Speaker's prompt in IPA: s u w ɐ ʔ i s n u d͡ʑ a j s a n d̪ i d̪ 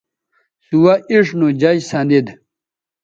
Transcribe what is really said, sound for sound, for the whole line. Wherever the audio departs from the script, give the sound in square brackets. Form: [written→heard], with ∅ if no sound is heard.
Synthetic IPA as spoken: s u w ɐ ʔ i [s→ʂ] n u d͡ʑ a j s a n d̪ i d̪